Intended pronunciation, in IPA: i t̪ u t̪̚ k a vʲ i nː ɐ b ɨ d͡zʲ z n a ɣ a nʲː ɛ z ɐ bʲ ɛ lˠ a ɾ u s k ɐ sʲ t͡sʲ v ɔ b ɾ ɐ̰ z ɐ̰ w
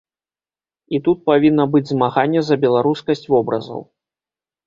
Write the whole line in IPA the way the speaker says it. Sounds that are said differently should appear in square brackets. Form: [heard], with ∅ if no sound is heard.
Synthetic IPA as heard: i t̪ u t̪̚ [p] a vʲ i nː ɐ b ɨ d͡zʲ z [m] a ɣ a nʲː ɛ z ɐ bʲ ɛ lˠ a ɾ u s k ɐ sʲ t͡sʲ v ɔ b ɾ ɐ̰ z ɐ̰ w